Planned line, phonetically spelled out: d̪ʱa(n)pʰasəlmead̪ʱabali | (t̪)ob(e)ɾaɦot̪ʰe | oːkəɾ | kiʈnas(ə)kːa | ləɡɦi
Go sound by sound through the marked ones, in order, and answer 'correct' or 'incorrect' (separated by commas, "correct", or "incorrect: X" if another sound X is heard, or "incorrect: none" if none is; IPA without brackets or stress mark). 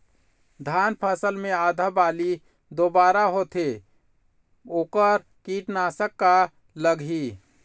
correct, incorrect: d̪, incorrect: a, correct